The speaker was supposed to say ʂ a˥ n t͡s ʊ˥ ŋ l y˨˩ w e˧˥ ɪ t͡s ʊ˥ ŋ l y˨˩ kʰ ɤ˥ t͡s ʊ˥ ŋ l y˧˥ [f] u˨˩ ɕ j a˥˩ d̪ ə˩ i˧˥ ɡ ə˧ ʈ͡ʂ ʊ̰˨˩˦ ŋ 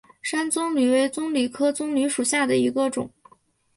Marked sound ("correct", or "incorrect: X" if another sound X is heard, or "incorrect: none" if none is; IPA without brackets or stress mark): incorrect: ʂ